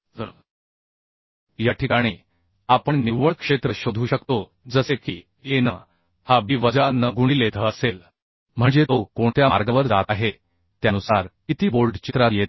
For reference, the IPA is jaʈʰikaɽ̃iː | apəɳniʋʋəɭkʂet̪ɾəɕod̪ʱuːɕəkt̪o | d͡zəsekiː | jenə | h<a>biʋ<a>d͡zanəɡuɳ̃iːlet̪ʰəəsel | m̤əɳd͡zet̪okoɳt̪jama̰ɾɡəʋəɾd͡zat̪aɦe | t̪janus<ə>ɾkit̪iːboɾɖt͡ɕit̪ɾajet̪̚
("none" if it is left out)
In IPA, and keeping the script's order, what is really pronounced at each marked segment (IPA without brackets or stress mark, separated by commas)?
a, ə, a